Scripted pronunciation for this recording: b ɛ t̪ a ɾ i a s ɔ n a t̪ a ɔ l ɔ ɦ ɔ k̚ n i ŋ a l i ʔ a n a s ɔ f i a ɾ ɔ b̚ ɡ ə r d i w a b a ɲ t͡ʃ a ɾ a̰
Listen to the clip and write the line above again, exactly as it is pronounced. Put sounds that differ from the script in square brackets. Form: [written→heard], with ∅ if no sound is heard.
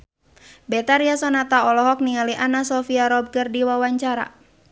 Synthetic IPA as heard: b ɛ t̪ a ɾ i a s ɔ n a t̪ a ɔ l ɔ ɦ ɔ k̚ n i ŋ a l i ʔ a n a s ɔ f i a ɾ ɔ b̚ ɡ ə r d i w a [b→w] a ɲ t͡ʃ a ɾ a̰